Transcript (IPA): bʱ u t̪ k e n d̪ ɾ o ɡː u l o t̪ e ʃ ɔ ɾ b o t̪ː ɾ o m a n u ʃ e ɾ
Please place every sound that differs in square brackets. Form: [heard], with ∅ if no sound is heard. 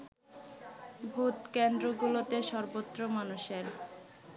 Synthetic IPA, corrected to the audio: bʱ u t̪ k e n d̪ ɾ o [ɡ] u l o t̪ e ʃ ɔ ɾ b o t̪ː ɾ o m a n u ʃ e ɾ